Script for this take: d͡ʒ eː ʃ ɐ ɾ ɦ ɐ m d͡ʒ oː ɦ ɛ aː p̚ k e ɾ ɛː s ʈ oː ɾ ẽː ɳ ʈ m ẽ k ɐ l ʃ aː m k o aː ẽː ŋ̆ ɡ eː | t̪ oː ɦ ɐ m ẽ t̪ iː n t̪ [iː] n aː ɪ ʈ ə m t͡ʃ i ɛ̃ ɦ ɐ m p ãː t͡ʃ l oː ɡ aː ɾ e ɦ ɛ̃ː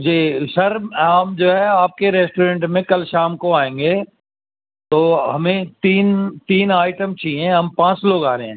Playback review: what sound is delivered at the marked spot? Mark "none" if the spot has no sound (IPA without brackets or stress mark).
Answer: iː